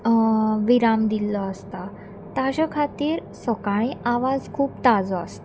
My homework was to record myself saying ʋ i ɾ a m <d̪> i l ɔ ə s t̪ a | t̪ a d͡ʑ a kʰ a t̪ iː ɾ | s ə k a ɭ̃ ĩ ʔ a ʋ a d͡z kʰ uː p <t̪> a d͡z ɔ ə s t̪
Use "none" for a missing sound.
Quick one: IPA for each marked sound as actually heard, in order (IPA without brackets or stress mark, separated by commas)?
d̪, t̪